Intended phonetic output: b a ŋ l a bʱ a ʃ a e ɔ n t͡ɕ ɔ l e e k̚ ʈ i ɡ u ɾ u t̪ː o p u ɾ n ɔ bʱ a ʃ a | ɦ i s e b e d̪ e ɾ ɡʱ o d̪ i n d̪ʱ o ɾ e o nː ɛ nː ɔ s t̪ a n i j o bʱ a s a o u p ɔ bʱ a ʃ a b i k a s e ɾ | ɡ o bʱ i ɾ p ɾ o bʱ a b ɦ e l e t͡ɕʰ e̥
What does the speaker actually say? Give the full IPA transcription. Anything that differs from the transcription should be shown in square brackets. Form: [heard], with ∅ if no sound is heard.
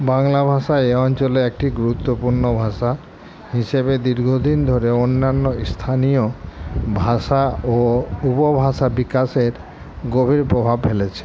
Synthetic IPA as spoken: b a ŋ l a bʱ a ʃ a e ɔ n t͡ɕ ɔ l e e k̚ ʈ i ɡ u ɾ u t̪ː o p u ɾ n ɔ bʱ a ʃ a | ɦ i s e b e d̪ [i] ɾ ɡʱ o d̪ i n d̪ʱ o ɾ e o nː [a] nː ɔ s [t̪ʰ] a n i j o bʱ a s a o u p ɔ bʱ a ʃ a b i k a s e ɾ | ɡ o bʱ i ɾ p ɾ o bʱ a b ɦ e l e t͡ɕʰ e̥